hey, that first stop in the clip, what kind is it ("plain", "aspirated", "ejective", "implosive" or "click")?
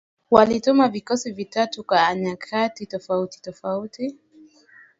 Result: plain